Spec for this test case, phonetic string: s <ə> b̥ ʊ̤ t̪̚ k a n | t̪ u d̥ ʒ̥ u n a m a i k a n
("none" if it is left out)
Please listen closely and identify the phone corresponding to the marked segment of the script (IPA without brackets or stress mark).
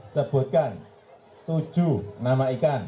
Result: ə